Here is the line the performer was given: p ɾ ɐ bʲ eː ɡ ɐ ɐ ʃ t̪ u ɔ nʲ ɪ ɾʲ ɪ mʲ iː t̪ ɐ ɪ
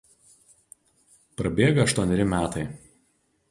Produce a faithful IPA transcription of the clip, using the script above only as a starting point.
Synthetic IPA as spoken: p ɾ ɐ bʲ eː ɡ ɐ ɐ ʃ t̪ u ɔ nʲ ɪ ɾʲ ɪ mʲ æː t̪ ɐ ɪ